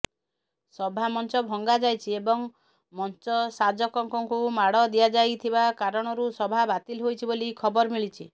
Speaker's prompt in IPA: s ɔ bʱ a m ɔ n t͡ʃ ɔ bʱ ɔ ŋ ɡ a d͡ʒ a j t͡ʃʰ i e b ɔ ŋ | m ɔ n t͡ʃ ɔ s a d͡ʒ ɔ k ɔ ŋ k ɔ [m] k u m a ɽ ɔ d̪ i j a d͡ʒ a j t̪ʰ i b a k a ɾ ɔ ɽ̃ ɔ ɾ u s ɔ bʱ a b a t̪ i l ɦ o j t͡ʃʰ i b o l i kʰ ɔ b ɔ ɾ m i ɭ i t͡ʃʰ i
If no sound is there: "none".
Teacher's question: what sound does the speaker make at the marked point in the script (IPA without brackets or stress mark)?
ŋ